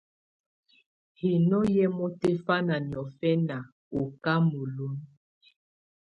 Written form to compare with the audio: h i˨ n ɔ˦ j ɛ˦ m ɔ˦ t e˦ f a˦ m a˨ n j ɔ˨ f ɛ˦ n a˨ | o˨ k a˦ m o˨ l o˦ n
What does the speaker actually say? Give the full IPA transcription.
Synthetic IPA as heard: h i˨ n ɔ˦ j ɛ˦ m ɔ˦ t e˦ f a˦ n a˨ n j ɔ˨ f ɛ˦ n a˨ | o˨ k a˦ m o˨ l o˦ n